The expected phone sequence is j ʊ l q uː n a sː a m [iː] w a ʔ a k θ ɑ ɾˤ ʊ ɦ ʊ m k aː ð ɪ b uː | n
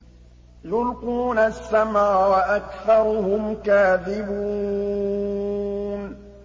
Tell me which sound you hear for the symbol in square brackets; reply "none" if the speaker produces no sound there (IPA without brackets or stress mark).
aː